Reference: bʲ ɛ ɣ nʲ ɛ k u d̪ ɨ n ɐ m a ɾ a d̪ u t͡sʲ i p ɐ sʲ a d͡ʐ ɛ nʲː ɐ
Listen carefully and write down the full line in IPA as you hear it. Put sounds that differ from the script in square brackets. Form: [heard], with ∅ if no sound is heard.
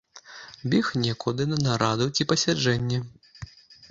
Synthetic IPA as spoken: bʲ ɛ [x] nʲ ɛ k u d̪ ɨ n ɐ [n] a ɾ a d̪ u t͡sʲ i p ɐ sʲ a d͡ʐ ɛ nʲː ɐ